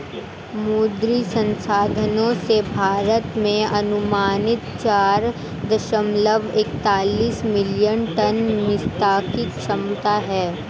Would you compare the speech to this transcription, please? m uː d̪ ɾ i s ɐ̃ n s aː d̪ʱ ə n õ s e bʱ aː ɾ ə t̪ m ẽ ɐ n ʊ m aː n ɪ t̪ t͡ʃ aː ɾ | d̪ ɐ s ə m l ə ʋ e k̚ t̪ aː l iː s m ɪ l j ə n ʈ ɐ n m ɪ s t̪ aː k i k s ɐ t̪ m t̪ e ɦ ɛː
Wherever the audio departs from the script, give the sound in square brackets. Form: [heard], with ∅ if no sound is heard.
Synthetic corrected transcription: m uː d̪ ɾ i s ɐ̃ n s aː d̪ʱ ə n õ s e bʱ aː ɾ ə t̪ m ẽ ɐ n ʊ m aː n ɪ t̪ t͡ʃ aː ɾ | d̪ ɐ [ʃ] ə m l ə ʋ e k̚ t̪ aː l iː s m ɪ l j ə n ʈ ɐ n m ɪ s t̪ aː k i k [ʃ] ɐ [∅] m t̪ [a] ɦ ɛː